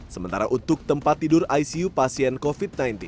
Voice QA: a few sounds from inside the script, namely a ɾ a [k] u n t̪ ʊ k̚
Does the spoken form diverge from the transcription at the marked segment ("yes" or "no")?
yes